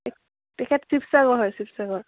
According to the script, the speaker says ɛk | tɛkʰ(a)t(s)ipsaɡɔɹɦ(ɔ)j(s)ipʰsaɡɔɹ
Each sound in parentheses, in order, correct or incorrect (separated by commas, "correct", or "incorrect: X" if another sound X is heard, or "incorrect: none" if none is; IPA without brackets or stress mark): incorrect: ɛ, correct, correct, correct